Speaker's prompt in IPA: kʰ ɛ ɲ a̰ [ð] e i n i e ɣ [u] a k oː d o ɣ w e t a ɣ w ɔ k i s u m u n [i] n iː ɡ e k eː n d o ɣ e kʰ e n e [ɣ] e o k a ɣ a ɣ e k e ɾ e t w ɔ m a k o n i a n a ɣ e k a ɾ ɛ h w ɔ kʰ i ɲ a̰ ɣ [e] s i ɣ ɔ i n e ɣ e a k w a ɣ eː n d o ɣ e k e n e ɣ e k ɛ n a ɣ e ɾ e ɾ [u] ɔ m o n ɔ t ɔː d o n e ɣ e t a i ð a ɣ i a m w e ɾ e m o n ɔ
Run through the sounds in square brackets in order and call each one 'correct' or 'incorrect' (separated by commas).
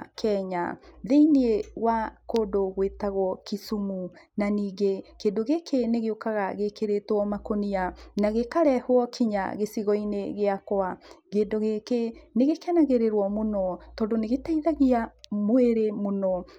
correct, incorrect, incorrect, correct, correct, incorrect